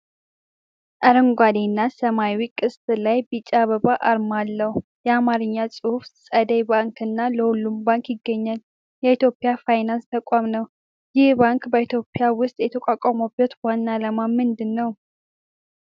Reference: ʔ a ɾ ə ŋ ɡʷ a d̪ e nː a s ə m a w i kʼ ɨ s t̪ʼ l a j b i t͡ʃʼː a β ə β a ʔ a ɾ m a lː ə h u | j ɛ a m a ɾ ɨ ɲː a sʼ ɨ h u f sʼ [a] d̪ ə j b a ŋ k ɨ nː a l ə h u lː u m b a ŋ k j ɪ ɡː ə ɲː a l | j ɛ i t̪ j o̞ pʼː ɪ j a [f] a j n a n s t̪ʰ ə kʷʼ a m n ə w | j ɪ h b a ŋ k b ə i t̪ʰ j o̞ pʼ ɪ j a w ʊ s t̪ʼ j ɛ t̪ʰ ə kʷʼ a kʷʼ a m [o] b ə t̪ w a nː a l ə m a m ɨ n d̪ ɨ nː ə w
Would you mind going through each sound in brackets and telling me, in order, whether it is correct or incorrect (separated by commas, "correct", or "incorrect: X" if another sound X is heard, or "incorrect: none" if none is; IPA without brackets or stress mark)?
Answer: incorrect: ə, correct, correct